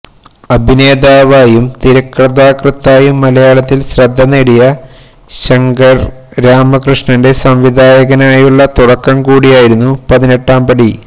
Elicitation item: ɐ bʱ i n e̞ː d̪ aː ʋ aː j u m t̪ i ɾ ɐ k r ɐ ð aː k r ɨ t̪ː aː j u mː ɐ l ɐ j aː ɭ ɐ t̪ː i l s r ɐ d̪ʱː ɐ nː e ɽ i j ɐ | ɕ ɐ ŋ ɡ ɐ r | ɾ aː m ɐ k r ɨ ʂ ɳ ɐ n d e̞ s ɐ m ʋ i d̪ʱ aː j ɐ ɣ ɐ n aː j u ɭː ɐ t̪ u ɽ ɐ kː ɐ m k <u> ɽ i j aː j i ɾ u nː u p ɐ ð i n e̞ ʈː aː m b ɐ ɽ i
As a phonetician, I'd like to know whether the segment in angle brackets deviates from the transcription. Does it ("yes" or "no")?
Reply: yes